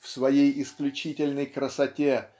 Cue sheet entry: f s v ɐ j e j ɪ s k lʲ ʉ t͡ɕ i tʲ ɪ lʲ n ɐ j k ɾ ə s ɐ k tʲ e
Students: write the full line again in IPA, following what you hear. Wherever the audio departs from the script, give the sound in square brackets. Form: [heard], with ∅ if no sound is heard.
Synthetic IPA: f s v ɐ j e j ɪ s k lʲ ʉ t͡ɕ i tʲ ɪ lʲ n [ə] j k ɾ ə s ɐ [∅] tʲ e

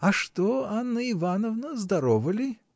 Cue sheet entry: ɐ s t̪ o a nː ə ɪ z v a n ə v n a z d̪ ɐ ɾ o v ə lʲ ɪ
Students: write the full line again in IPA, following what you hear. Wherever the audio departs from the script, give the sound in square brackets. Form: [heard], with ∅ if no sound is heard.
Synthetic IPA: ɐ [ʂ] t̪ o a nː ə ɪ [∅] v a n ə v n [ə] z d̪ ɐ ɾ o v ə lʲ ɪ

